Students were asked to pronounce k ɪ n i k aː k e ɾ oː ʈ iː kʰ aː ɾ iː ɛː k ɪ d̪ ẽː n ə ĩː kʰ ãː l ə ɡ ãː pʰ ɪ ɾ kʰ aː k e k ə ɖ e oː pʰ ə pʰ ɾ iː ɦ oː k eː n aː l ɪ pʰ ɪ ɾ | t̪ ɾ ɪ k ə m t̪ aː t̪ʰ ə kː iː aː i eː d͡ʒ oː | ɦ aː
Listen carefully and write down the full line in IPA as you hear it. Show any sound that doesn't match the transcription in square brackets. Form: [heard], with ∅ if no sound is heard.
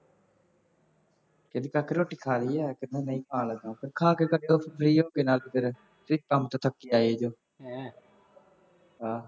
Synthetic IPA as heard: k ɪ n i k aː k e ɾ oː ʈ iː kʰ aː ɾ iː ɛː k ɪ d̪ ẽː n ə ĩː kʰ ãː l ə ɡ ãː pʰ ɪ ɾ kʰ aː k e k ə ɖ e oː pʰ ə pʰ ɾ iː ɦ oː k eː n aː l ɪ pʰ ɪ ɾ | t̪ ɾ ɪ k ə m t̪ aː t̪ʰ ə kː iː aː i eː d͡ʒ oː | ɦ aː